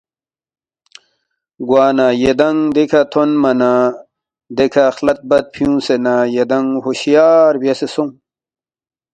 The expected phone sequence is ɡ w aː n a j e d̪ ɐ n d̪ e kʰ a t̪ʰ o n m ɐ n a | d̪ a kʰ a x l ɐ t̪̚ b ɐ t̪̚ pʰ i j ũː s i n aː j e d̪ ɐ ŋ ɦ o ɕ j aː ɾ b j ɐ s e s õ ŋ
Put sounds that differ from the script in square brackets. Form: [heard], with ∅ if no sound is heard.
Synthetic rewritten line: ɡ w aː n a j e d̪ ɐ [ŋ] d̪ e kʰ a t̪ʰ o n m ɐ n a | d̪ [e] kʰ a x l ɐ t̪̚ b ɐ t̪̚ pʰ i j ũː s [e] n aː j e d̪ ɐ ŋ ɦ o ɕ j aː ɾ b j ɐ s e s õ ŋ